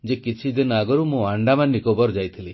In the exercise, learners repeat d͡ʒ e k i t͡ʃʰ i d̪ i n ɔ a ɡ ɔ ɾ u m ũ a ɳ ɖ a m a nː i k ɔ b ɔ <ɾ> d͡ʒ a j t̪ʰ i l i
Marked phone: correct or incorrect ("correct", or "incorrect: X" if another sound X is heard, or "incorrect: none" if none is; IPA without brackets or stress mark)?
correct